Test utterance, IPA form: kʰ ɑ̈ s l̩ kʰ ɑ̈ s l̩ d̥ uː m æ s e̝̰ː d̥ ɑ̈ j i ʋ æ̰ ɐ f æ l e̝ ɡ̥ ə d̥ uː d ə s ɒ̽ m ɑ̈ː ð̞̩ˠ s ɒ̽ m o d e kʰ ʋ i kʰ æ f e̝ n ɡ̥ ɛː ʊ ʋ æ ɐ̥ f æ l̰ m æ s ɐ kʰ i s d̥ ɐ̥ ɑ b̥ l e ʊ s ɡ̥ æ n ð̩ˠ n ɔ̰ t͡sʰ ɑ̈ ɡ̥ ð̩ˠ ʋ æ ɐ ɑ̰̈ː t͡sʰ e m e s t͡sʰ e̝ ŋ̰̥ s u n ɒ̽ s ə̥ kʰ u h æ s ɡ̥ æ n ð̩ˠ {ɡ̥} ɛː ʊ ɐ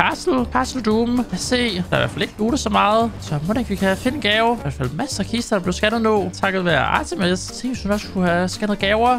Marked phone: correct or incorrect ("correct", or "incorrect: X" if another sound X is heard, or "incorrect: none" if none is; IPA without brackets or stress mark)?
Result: correct